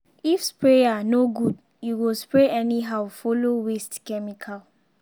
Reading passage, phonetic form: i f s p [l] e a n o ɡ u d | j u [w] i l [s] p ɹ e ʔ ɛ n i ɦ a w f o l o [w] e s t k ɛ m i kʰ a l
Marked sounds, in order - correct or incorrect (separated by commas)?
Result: incorrect, correct, correct, correct